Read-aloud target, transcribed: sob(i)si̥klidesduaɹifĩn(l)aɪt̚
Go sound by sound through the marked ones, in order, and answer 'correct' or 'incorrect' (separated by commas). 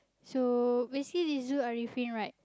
incorrect, incorrect